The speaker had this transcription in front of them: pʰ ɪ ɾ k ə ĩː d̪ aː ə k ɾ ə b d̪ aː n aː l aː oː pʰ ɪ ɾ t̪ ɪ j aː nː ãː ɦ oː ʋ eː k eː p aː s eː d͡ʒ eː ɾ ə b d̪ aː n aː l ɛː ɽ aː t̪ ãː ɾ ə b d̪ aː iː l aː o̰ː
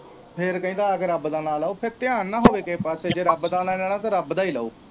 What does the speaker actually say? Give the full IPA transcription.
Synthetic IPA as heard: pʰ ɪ ɾ k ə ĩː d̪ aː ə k ɾ ə b d̪ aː n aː l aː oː pʰ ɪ ɾ t̪ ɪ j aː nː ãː ɦ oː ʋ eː k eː p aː s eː d͡ʒ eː ɾ ə b d̪ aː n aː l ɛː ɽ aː t̪ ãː ɾ ə b d̪ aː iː l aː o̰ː